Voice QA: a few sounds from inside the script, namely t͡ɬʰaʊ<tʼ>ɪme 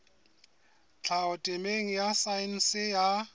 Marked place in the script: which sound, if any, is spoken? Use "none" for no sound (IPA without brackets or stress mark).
tʼ